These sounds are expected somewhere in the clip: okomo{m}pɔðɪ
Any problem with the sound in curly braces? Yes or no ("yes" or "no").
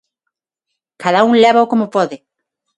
yes